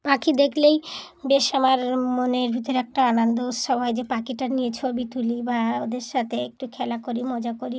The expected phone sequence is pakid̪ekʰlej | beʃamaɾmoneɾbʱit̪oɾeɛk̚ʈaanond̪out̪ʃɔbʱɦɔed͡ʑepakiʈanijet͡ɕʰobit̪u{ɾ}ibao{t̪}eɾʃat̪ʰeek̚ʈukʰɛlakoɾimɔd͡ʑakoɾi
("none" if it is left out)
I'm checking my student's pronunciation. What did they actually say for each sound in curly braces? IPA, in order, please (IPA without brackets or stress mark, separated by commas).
l, d̪